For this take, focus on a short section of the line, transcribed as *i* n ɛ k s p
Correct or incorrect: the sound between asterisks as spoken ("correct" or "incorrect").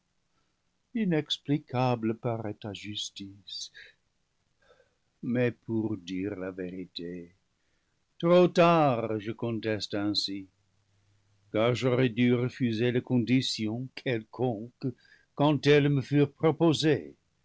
correct